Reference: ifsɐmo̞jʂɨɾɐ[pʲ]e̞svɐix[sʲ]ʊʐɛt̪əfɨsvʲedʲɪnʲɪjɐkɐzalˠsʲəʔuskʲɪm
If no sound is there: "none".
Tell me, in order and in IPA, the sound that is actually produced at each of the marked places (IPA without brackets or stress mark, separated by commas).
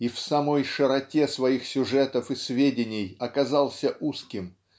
tʲ, sʲ